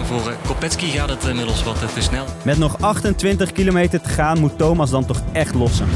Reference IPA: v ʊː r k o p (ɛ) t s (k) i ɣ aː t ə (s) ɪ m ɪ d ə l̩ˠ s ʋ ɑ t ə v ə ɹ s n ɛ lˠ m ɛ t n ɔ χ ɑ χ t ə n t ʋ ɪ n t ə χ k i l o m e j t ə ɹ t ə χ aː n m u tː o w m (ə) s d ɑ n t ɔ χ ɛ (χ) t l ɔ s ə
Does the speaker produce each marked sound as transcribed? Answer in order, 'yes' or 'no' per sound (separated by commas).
yes, yes, no, no, yes